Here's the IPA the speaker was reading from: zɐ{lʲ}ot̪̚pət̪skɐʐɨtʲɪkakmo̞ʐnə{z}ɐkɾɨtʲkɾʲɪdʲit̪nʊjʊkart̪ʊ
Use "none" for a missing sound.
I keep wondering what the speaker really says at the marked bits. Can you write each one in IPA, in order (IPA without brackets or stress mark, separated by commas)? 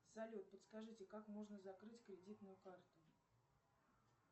lʲ, z